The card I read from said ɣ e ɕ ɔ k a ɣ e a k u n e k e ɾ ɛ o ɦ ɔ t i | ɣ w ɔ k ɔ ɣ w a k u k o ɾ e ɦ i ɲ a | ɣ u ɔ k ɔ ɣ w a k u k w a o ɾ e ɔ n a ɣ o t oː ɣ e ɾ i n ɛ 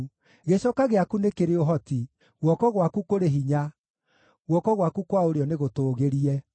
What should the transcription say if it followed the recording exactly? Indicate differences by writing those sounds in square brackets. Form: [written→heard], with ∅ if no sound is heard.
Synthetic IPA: ɣ e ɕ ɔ k a ɣ e a k u n e k e ɾ [ɛ→e] o ɦ ɔ t i | ɣ w ɔ k ɔ ɣ w a k u k o ɾ e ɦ i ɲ a | ɣ [u→w] ɔ k ɔ ɣ w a k u k w a o ɾ e ɔ n [a→e] ɣ o t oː ɣ e ɾ i [n→∅] ɛ